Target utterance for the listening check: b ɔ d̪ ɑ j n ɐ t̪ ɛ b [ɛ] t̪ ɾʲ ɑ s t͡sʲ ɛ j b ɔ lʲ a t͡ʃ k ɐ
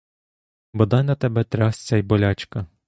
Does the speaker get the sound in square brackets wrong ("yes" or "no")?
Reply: no